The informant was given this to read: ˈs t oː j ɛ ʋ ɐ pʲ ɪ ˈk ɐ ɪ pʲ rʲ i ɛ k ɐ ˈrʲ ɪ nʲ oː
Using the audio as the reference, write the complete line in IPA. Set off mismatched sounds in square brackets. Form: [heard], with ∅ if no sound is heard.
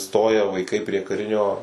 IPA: ˈs t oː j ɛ ʋ ɐ [∅] ɪ ˈk ɐ ɪ pʲ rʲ i ɛ k ɐ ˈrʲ ɪ nʲ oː